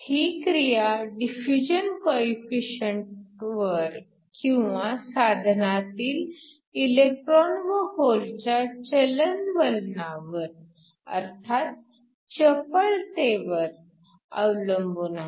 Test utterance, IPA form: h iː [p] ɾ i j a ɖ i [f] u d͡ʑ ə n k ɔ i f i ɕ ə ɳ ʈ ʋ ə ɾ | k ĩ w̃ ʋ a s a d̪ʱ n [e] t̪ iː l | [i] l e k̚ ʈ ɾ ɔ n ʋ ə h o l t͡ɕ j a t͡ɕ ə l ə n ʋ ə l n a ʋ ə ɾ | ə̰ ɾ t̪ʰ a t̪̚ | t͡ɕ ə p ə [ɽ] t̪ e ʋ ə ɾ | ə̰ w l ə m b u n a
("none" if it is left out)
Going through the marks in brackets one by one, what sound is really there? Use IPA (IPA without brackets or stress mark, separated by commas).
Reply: k, f, a, i, ɭ